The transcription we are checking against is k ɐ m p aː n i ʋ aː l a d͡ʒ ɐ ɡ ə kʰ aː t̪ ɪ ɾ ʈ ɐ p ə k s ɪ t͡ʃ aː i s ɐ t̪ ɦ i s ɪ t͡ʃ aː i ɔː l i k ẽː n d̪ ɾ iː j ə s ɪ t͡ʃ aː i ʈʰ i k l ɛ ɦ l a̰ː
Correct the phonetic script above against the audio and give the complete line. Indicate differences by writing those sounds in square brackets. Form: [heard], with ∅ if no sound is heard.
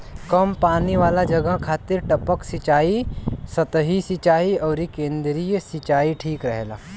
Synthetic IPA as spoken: k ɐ m p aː n i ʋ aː l a d͡ʒ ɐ ɡ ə kʰ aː t̪ ɪ ɾ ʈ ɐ p ə k s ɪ t͡ʃ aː i s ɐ t̪ ɦ i s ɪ t͡ʃ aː i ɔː [ɾ] i k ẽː n d̪ ɾ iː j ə s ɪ t͡ʃ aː i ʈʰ [iː] k [ɾ] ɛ ɦ l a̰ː